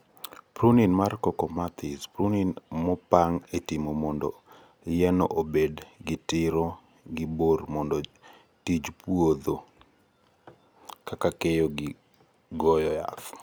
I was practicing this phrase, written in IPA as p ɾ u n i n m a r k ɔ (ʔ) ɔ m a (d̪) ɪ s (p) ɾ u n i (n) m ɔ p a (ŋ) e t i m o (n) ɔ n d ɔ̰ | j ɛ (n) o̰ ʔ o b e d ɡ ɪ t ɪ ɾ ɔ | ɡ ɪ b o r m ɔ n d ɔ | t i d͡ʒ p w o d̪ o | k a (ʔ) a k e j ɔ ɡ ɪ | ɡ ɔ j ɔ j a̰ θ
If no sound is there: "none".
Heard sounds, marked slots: k, t̪, p, n, ŋ, m, n, k

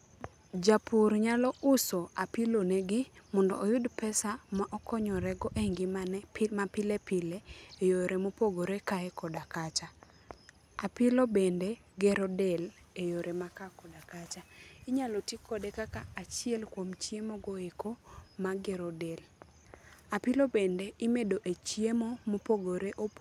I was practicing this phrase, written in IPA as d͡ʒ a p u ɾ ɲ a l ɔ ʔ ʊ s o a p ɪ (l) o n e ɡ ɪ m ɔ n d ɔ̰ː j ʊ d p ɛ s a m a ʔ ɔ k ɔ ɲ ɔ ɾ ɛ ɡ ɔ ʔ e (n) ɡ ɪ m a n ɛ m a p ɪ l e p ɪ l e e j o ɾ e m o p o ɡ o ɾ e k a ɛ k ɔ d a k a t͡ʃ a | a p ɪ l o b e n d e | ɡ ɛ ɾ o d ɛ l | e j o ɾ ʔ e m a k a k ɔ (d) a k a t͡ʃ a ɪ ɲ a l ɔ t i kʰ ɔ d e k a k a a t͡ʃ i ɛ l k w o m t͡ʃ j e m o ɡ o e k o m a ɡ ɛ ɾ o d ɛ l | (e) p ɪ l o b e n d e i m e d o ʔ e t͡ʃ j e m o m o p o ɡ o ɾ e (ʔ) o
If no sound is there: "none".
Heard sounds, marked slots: l, ŋ, d, a, ʔ

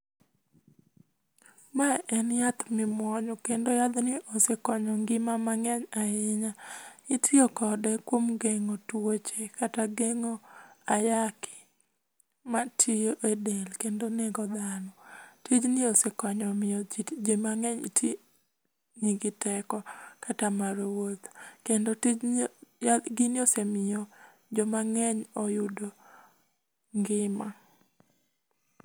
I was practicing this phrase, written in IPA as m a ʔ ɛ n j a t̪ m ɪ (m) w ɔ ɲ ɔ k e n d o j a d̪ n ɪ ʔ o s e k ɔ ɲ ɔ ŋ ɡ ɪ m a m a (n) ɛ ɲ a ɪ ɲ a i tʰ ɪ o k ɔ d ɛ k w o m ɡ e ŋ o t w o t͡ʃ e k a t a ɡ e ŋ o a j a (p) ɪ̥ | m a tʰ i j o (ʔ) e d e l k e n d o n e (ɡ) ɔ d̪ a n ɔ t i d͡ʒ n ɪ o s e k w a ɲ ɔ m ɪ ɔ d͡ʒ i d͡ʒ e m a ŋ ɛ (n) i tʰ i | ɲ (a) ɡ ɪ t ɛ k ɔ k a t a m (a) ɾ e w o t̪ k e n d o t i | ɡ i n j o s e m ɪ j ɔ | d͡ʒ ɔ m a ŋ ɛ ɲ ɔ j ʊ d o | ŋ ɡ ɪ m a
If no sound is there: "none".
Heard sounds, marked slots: m, ŋ, k, ʔ, ɡ, ɲ, i, a

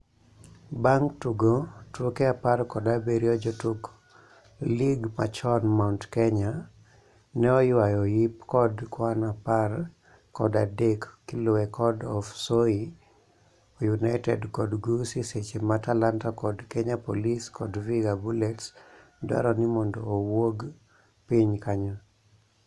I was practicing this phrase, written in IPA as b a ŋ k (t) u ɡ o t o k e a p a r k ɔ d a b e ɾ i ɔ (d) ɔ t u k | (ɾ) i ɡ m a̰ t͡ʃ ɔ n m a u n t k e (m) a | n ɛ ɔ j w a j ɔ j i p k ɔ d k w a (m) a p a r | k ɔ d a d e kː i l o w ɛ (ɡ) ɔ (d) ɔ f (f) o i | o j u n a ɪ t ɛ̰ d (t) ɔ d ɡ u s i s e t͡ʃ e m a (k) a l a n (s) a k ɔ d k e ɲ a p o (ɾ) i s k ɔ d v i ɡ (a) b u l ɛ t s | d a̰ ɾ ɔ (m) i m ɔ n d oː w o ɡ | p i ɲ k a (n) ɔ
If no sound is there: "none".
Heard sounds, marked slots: t, d͡ʒ, l, ɲ, n, k, d, s, k, t, t, l, a, n, ɲ

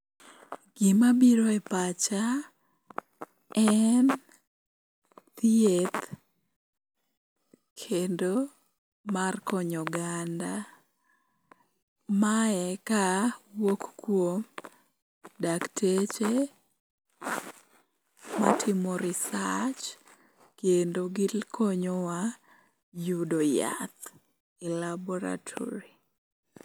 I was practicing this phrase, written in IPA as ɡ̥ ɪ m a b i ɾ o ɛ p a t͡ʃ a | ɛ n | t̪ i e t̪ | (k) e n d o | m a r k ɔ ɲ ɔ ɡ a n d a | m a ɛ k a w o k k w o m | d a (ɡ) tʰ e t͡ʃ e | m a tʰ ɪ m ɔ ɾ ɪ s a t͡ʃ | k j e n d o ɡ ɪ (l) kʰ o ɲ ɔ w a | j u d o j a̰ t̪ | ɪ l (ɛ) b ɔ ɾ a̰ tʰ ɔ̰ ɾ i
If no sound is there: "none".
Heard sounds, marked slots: kʰ, k, l, a

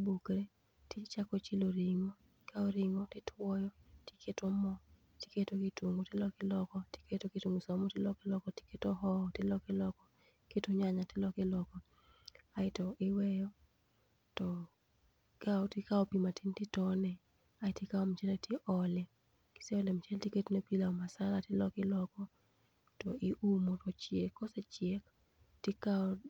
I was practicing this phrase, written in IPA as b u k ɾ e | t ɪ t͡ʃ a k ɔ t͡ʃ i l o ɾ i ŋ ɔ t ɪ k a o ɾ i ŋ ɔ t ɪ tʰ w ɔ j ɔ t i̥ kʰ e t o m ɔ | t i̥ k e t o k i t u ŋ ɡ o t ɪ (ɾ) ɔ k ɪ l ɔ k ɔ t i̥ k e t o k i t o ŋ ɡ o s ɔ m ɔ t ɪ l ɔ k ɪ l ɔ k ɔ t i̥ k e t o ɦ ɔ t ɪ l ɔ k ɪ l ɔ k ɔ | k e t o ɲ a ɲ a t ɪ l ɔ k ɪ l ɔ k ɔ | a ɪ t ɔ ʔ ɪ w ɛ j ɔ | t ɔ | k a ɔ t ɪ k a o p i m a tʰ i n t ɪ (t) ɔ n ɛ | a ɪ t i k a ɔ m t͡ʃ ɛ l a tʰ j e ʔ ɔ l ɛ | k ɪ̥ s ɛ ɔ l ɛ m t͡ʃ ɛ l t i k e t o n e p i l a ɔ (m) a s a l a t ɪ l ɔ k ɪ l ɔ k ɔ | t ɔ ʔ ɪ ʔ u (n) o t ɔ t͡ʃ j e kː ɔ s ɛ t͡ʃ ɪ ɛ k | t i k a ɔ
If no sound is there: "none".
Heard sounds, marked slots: l, t, m, m

